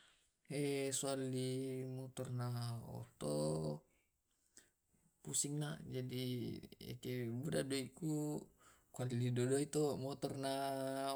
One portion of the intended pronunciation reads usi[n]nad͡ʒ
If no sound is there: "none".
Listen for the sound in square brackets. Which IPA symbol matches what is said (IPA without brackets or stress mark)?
ŋ